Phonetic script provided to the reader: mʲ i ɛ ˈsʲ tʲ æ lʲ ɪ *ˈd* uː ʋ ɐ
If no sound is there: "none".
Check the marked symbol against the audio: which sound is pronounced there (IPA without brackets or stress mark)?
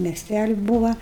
b